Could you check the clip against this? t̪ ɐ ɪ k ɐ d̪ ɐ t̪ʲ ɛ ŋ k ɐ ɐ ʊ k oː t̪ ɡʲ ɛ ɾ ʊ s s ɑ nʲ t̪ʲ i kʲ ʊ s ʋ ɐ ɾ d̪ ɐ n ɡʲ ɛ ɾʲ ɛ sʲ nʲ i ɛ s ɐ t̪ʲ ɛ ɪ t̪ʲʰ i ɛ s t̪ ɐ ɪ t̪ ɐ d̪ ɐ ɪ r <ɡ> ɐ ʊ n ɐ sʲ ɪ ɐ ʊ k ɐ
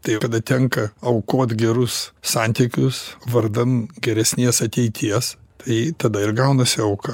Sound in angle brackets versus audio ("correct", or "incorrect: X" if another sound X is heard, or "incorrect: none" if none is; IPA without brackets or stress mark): correct